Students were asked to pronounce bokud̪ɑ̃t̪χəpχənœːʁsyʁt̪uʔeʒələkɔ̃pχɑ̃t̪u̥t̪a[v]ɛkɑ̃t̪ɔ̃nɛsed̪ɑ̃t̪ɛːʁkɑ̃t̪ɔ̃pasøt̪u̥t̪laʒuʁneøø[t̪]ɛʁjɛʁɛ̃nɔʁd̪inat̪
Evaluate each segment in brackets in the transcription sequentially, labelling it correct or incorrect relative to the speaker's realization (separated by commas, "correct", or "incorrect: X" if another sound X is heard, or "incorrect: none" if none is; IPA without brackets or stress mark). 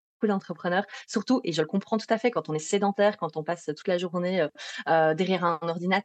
incorrect: f, incorrect: d̪